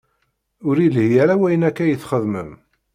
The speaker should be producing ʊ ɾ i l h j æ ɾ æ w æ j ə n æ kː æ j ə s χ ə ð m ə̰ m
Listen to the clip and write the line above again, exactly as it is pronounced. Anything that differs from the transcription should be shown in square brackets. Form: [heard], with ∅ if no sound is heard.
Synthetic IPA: ʊ ɾ i l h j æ ɾ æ w æ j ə n æ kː æ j ə [θ] χ ə ð m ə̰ m